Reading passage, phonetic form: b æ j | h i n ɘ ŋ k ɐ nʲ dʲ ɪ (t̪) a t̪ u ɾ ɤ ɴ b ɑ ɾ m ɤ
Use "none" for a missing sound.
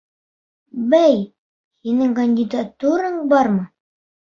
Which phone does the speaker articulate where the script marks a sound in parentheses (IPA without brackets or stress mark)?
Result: d̪